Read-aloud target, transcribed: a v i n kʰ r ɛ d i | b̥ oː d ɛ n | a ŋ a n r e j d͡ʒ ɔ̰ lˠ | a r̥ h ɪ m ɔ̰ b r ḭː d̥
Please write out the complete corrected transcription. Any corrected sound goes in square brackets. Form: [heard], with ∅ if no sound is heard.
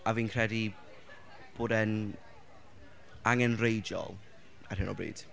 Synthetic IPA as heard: a v [iː] n kʰ r ɛ d i | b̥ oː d ɛ n | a ŋ [ɛ] n r e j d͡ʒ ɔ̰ lˠ | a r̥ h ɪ [n] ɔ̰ b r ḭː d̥